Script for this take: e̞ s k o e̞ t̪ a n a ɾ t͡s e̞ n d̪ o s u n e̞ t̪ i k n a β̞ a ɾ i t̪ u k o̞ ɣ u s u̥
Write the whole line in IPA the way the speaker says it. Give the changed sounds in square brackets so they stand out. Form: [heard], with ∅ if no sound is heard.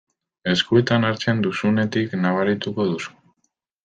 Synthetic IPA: e̞ s k [u] e̞ t̪ a n a ɾ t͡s e̞ n d̪ [u] s u n e̞ t̪ i k n a β̞ a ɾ i t̪ u k o̞ [ð] u s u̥